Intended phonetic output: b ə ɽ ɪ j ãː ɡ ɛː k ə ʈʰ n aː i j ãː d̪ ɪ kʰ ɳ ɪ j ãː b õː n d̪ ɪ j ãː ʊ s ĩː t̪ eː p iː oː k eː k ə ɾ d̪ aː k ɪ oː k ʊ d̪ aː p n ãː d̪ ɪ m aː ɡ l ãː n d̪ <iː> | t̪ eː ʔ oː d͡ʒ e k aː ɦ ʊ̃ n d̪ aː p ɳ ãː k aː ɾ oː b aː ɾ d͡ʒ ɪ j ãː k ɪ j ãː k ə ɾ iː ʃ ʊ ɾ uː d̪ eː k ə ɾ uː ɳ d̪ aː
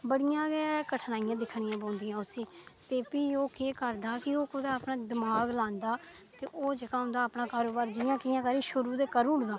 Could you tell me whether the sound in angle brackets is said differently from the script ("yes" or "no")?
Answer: yes